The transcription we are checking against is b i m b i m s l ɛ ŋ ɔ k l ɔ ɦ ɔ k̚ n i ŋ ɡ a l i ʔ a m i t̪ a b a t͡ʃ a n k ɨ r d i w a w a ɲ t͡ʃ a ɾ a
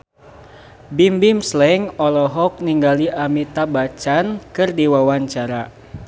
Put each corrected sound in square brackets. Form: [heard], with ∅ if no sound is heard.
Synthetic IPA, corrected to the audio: b i m b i m s l ɛ ŋ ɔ [∅] l ɔ ɦ ɔ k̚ n i ŋ ɡ a l i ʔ a m i t̪ a b a t͡ʃ a n k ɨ r d i w a w a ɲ t͡ʃ a ɾ a